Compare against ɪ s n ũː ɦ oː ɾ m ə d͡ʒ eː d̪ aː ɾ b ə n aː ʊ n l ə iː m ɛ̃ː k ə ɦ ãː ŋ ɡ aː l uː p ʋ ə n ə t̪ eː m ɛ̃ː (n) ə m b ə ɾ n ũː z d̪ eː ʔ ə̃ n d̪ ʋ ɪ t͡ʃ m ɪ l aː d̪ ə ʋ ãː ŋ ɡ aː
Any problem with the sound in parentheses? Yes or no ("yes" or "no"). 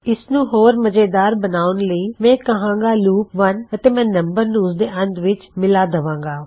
no